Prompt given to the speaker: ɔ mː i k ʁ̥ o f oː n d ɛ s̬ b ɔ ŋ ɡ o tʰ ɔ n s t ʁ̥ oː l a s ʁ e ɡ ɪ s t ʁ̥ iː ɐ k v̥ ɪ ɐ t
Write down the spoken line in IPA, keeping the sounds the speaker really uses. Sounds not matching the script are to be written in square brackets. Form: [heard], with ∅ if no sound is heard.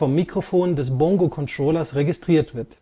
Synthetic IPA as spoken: ɔ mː i k ʁ̥ o f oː n d ɛ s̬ b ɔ ŋ ɡ o [kʰ] ɔ n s t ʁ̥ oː l [ɐ] s ʁ e ɡ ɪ s t ʁ̥ iː ɐ [t] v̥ ɪ ɐ t